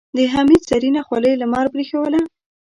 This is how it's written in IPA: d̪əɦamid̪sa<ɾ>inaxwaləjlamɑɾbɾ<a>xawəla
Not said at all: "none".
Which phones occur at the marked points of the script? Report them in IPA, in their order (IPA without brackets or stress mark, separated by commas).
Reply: ɾ, i